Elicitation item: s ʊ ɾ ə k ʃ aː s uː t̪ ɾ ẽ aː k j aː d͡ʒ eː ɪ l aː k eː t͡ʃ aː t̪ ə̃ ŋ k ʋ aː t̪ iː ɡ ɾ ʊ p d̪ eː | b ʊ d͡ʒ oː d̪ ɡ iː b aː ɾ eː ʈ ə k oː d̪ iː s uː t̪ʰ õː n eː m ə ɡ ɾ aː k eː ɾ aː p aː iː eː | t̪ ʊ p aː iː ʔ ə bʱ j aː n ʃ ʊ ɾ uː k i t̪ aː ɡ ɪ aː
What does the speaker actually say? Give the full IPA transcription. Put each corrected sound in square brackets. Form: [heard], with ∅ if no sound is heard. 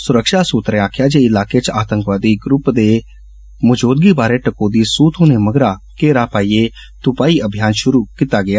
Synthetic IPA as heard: s ʊ ɾ ə k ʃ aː s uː t̪ ɾ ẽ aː [kʰ] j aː d͡ʒ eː ɪ l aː k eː t͡ʃ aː t̪ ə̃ ŋ k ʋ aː [d̪] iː ɡ ɾ ʊ p d̪ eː | [m] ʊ d͡ʒ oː d̪ ɡ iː b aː ɾ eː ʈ ə k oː d̪ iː s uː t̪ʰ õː n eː m ə ɡ ɾ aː k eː ɾ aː p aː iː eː | t̪ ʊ p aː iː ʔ ə bʱ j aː n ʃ ʊ ɾ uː k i t̪ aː ɡ ɪ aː